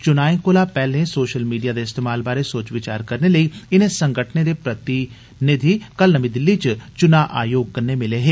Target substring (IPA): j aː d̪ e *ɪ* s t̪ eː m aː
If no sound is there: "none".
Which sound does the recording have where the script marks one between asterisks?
ɪ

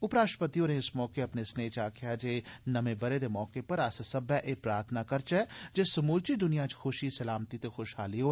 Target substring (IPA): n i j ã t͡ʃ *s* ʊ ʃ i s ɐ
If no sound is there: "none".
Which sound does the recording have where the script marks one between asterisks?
x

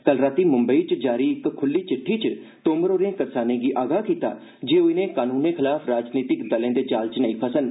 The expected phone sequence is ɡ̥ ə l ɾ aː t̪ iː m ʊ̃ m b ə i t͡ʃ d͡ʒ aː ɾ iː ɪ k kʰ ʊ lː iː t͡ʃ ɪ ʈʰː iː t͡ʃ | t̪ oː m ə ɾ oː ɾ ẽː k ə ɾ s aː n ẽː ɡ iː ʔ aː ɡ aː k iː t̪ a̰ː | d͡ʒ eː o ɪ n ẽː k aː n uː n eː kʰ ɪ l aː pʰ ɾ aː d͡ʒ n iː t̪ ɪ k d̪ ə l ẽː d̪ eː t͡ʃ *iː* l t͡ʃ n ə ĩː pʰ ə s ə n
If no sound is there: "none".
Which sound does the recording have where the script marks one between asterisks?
aː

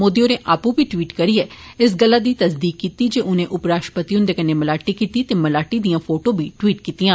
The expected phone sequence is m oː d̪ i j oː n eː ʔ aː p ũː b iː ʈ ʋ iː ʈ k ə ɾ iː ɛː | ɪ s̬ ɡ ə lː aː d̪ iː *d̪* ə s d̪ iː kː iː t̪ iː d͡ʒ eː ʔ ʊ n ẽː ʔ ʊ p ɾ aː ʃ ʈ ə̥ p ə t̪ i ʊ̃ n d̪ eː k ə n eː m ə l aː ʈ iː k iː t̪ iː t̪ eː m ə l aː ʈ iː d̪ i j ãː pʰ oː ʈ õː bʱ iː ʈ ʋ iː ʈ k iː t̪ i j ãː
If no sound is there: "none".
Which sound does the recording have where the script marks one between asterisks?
t̪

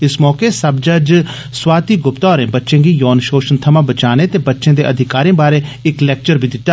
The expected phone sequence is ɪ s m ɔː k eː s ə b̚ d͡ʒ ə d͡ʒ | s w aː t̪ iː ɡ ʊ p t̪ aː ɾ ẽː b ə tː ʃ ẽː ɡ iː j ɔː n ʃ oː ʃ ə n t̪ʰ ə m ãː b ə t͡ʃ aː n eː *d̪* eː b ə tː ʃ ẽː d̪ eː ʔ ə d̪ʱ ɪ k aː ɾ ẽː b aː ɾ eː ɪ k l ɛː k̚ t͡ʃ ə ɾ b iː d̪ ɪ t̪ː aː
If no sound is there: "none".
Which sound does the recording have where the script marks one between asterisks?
t̪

